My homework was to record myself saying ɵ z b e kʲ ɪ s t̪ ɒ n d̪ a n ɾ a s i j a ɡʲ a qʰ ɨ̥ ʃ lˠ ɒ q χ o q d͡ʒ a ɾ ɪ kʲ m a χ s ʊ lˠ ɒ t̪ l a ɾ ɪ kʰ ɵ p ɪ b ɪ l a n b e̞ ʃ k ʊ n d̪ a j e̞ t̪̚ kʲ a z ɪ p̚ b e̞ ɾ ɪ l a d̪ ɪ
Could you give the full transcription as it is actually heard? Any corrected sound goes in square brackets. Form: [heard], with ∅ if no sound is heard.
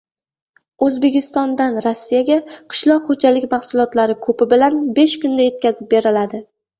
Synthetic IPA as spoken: ɵ z b e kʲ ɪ s t̪ ɒ n d̪ a n ɾ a [sː] i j a ɡʲ a qʰ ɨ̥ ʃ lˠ ɒ q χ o [∅] d͡ʒ a [l] ɪ kʲ m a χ s ʊ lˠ ɒ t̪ l a ɾ ɪ kʰ ɵ p ɪ b ɪ l a n b e̞ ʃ k ʊ n d̪ a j e̞ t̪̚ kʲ a z ɪ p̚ b e̞ ɾ ɪ l a d̪ ɪ

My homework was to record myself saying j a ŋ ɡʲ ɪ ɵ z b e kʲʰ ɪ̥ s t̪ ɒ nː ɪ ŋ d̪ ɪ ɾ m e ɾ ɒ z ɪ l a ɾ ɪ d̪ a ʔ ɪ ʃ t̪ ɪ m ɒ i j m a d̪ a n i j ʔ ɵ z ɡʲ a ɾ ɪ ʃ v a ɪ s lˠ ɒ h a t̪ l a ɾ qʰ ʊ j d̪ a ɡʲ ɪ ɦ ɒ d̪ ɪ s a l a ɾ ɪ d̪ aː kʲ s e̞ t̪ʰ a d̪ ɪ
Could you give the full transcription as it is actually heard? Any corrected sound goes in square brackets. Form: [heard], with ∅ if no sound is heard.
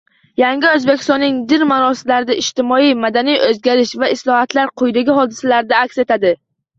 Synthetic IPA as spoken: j a ŋ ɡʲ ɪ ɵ z b e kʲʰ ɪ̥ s t̪ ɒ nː ɪ ŋ d̪ ɪ ɾ m [a] ɾ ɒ [s] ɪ l a ɾ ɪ d̪ a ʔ ɪ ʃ t̪ ɪ m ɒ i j m a d̪ a n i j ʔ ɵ z ɡʲ a ɾ ɪ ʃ v a ɪ s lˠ ɒ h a t̪ l a ɾ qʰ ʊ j d̪ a ɡʲ ɪ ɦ ɒ d̪ ɪ s a l a ɾ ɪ d̪ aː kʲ s e̞ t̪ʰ a d̪ ɪ

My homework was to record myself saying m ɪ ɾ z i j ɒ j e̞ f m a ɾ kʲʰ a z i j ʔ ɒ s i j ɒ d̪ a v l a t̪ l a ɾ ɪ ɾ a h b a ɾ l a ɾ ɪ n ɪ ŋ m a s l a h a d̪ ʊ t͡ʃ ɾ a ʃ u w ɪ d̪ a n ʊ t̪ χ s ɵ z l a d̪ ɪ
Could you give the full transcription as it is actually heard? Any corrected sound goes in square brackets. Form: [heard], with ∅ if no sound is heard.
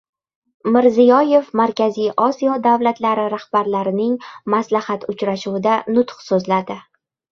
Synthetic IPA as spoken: m ɪ ɾ z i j ɒ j e̞ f m a ɾ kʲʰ a z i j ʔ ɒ s i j ɒ d̪ a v l a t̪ l a ɾ ɪ ɾ a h b a ɾ l a ɾ ɪ n ɪ ŋ m a s l a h a [t̪] ʊ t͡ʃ ɾ a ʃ u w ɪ d̪ a n ʊ t̪ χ s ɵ z l a d̪ ɪ

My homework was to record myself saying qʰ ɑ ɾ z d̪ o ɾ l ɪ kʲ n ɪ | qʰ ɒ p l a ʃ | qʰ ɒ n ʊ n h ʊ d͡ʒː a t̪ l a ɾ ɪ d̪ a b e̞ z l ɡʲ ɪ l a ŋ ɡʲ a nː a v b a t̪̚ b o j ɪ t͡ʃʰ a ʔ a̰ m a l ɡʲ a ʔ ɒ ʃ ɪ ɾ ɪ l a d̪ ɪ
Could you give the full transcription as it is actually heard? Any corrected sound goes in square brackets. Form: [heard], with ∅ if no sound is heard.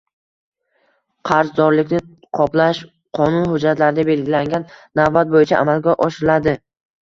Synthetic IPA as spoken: qʰ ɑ ɾ z d̪ [ɒ] ɾ l ɪ kʲ n ɪ | qʰ ɒ p l a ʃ | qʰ ɒ n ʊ n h ʊ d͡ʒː a t̪ l a ɾ ɪ d̪ a b e̞ [∅] l ɡʲ ɪ l a ŋ ɡʲ a nː a v b a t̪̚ b o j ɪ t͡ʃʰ a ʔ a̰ m a l ɡʲ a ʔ ɒ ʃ ɪ ɾ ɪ l a d̪ ɪ

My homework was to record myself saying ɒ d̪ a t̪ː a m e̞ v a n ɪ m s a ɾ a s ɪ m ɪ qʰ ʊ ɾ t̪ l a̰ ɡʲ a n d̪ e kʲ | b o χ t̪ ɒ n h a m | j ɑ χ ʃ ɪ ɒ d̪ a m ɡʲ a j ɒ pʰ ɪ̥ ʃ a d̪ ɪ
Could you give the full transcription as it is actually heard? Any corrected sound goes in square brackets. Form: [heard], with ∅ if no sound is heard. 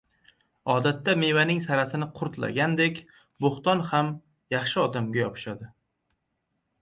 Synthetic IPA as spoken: ɒ d̪ a t̪ː a m e̞ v a n ɪ [ŋ] s a ɾ a s ɪ [n] ɪ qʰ ʊ ɾ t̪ l a̰ ɡʲ a n d̪ e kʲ | b o χ t̪ ɒ n h a m | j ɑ χ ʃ ɪ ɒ d̪ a m ɡʲ a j ɒ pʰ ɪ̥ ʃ a d̪ ɪ

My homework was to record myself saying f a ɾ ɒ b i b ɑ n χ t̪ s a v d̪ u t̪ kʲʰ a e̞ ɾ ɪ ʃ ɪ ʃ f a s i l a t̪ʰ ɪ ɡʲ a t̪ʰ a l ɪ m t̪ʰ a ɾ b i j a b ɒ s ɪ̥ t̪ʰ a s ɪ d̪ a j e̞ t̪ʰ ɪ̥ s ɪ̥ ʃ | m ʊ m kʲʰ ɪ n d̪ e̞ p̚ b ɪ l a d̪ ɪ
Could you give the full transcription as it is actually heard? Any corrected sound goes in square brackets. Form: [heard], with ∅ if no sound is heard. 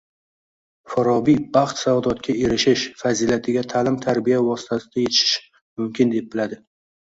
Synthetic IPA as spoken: f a ɾ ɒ b i b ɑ [∅] χ t̪ s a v d̪ [ɒ] t̪ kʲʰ a e̞ ɾ ɪ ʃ ɪ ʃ f a [z] i l a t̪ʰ ɪ ɡʲ a t̪ʰ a l ɪ m t̪ʰ a ɾ b i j a [v] ɒ s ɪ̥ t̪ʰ a s ɪ d̪ a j e̞ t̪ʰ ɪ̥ [ʃ] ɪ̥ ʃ | m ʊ m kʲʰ ɪ n d̪ e̞ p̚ b ɪ l a d̪ ɪ

